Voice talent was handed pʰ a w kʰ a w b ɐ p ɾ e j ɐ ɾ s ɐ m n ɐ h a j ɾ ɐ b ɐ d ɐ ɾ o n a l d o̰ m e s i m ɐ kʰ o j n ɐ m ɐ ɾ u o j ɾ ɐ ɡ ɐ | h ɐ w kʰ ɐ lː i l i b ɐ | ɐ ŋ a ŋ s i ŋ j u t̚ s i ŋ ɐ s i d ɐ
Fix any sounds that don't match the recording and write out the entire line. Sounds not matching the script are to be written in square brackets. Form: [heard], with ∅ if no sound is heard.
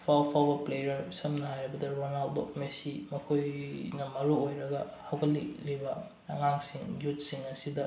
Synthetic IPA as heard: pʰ a w [pʰ] a w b ɐ p [l] e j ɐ ɾ s ɐ m n ɐ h a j ɾ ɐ b ɐ d ɐ ɾ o n a l d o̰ m e s i m ɐ kʰ o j n ɐ m ɐ ɾ u o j ɾ ɐ ɡ ɐ | h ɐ w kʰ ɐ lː i l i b ɐ | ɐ ŋ a ŋ s i ŋ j u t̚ s i ŋ ɐ s i d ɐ

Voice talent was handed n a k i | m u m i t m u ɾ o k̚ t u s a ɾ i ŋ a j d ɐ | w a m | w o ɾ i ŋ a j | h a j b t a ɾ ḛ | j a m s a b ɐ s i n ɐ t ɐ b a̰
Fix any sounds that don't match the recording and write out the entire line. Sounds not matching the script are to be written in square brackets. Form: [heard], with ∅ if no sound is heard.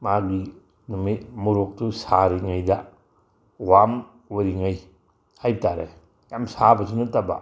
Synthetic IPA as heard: [m] a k i | [n] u m i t m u ɾ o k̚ t u s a ɾ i ŋ a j d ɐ | w a m | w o ɾ i ŋ a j | h a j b t a ɾ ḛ | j a m s a b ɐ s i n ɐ t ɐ b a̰

